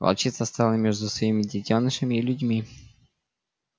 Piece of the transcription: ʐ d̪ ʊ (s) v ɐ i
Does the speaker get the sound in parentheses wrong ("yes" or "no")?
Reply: no